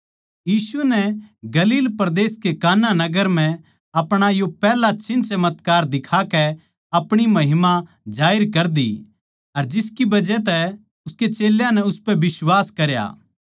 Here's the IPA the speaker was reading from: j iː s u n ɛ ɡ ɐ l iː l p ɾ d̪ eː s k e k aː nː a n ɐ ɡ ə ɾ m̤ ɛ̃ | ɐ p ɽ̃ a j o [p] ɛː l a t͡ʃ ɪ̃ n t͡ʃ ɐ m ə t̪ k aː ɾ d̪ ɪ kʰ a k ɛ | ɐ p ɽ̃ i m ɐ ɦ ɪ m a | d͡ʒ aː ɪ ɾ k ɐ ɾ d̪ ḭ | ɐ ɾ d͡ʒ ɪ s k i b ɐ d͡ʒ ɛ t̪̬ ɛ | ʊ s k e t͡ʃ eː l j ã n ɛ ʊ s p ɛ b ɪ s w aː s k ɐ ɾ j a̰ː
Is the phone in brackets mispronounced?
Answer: no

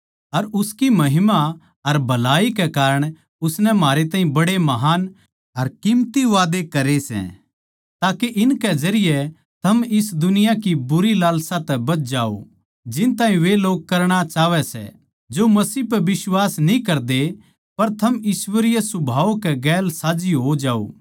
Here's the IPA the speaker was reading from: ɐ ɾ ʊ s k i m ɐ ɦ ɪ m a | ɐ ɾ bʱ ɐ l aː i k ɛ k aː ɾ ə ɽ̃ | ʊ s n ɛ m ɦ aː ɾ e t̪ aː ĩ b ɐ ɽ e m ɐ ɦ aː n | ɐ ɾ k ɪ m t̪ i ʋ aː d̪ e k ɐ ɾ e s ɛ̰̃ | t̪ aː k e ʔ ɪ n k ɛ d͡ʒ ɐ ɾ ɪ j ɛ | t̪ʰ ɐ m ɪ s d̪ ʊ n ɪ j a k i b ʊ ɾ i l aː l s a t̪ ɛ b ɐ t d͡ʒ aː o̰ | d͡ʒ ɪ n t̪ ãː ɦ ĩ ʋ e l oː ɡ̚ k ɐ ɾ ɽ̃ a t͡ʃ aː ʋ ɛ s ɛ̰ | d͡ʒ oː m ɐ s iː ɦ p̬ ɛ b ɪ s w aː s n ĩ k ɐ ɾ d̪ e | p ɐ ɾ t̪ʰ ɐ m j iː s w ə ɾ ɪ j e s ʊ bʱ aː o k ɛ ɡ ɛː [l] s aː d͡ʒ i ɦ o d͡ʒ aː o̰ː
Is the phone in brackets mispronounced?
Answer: no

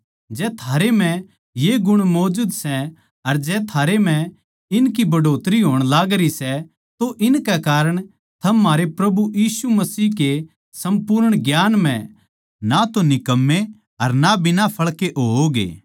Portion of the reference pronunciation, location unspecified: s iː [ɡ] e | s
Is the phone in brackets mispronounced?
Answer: yes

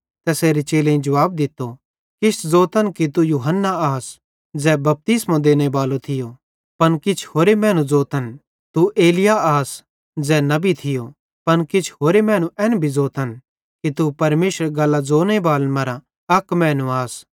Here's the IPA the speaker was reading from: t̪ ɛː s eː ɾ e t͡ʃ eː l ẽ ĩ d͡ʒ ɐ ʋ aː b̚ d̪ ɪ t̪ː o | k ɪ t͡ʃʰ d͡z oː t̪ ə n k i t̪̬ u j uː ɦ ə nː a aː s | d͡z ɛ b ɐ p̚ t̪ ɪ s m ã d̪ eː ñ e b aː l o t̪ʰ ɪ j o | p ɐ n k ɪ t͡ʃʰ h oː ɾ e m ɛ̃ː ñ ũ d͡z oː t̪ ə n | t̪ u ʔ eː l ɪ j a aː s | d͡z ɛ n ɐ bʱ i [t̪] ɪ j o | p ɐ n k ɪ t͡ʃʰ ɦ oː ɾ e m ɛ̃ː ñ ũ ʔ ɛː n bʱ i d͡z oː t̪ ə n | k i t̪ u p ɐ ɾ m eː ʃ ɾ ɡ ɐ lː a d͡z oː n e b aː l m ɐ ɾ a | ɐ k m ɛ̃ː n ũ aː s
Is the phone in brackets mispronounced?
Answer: yes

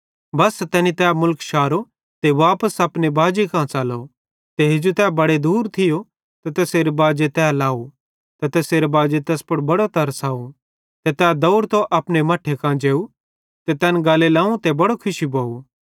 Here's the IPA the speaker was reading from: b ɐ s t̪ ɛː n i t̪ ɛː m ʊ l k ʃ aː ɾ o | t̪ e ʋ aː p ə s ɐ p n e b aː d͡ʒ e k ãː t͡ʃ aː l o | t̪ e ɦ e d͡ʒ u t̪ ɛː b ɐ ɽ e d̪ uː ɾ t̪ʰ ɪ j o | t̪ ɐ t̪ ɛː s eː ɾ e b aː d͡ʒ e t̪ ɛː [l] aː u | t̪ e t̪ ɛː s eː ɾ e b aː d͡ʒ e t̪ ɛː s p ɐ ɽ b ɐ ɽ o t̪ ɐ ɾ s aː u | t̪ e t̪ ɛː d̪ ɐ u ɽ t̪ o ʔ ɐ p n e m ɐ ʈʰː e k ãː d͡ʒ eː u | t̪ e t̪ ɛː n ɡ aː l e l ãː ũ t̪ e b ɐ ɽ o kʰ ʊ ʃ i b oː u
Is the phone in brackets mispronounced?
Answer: no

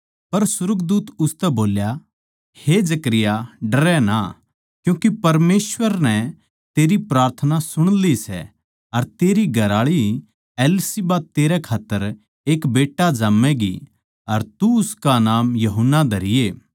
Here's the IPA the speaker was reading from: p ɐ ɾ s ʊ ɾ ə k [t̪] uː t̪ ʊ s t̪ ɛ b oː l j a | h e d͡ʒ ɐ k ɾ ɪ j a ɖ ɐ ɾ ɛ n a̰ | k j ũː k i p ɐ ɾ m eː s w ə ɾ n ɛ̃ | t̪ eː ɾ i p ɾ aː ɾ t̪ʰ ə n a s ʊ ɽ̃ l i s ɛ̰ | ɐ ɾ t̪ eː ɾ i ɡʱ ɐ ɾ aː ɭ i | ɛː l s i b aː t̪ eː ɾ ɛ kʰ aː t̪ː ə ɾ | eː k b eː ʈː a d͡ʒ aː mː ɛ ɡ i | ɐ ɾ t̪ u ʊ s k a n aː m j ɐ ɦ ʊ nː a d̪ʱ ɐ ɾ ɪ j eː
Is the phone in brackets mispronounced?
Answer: yes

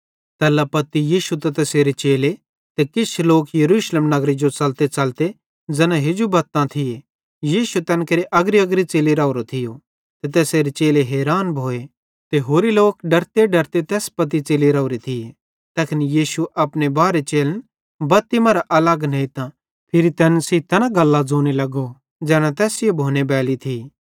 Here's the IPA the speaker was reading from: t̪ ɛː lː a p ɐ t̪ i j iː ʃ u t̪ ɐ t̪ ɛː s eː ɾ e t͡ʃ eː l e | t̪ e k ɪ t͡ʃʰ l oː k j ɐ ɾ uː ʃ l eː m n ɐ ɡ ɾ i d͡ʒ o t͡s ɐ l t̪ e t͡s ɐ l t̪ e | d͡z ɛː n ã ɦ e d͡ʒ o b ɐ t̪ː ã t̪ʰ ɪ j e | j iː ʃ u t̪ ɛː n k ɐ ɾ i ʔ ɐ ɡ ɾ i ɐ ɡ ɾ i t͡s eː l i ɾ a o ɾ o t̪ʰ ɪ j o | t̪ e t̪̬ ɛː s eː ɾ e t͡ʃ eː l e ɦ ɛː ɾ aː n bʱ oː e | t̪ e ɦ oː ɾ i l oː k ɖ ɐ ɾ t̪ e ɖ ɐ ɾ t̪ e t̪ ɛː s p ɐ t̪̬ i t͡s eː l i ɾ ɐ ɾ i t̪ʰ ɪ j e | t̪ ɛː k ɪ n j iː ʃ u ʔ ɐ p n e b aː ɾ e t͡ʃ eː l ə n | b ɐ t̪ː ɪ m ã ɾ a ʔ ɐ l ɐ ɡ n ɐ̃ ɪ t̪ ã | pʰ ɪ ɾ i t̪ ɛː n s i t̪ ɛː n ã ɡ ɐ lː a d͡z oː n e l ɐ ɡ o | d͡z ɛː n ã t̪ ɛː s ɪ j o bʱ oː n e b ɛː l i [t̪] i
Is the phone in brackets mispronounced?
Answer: yes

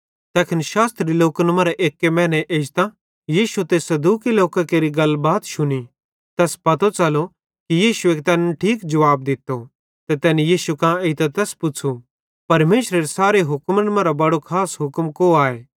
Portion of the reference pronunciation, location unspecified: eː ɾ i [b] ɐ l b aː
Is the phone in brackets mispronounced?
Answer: yes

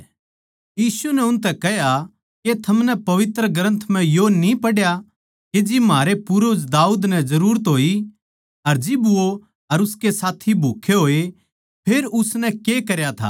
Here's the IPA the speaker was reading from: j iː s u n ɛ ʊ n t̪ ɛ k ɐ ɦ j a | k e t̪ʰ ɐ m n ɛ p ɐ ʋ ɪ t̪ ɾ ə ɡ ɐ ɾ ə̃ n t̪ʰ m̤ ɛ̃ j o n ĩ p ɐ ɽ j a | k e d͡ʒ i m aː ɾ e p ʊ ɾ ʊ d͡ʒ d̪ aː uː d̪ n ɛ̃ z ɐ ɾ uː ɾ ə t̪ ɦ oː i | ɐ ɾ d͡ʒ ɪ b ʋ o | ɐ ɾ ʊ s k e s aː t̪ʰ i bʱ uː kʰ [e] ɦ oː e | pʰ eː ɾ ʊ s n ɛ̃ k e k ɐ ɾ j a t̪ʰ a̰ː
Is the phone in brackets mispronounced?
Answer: no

